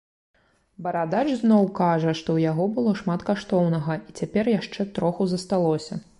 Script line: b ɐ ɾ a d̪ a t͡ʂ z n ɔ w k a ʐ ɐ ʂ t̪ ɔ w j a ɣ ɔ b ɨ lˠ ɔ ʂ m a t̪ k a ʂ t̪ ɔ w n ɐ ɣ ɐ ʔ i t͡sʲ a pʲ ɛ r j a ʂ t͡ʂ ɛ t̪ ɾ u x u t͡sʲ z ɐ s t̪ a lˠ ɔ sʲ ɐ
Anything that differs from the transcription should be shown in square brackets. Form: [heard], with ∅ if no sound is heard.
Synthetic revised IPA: b ɐ ɾ a d̪ a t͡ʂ z n ɔ w k a ʐ ɐ ʂ t̪ ɔ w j a ɣ ɔ b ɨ lˠ ɔ ʂ m a t̪ k a ʂ t̪ ɔ w n ɐ ɣ ɐ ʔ i t͡sʲ a pʲ ɛ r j a ʂ t͡ʂ ɛ t̪ ɾ [ɔ] x u [∅] z ɐ s t̪ a lˠ ɔ sʲ ɐ